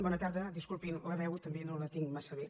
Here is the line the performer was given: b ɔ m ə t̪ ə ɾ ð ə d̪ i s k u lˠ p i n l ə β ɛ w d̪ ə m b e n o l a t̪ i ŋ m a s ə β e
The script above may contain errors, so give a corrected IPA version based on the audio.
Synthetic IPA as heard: b ɔ n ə t̪ a ɾ ð ə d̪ i s k u lˠ p i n l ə β ɛ w t̪ ə m b e n o l ə t̪ i ŋ m a s ə β e